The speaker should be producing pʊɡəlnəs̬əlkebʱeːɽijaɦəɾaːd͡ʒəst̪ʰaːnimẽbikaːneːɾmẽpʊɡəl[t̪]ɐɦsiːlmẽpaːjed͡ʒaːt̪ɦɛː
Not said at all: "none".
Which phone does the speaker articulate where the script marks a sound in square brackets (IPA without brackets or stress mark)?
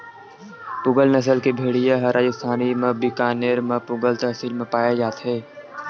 t̪